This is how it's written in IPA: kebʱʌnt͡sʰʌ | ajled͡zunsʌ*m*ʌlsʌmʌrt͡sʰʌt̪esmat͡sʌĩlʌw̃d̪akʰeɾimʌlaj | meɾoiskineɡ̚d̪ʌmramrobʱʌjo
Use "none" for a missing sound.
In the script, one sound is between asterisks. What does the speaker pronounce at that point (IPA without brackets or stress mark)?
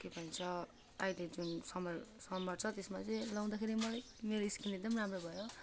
m